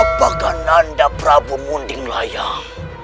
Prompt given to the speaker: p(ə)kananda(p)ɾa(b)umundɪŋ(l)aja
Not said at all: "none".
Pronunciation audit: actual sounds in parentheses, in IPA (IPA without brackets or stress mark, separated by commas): a, p, b, l